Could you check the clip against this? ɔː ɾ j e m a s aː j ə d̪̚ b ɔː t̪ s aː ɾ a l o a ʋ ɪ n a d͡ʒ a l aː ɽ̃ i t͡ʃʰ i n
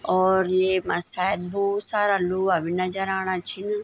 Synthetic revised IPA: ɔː ɾ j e m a s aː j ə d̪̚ b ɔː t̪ s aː ɾ a l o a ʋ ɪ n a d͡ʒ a ɾ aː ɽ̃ a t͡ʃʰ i n